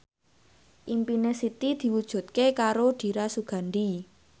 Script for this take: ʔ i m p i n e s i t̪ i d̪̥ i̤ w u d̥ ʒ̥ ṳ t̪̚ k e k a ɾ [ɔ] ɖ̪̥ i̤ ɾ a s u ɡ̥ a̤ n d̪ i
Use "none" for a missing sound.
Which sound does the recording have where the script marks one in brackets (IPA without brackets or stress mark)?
o